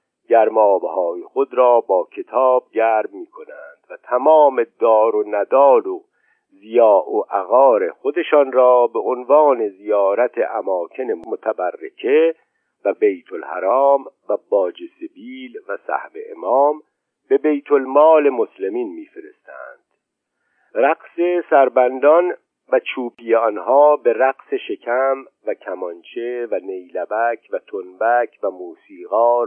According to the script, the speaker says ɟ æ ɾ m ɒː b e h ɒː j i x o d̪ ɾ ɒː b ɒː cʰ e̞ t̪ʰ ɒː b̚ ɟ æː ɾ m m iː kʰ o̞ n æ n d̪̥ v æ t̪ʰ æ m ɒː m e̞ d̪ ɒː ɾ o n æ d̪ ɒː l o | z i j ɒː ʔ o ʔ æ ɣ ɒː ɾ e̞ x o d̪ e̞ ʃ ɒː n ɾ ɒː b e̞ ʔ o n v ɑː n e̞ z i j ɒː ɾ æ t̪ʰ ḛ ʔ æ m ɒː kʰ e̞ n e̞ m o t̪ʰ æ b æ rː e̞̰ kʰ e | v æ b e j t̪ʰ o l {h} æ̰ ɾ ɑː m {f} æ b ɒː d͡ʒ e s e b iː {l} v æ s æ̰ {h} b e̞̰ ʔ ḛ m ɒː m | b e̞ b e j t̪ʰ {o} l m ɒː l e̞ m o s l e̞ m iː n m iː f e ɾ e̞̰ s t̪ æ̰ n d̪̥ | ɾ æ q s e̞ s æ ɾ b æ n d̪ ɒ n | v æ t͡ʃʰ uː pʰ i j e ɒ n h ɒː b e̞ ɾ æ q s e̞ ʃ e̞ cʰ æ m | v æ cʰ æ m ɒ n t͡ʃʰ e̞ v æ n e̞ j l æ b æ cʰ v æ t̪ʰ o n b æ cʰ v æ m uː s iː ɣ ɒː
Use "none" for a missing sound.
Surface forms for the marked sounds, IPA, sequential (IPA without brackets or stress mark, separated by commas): h, v, l, h, o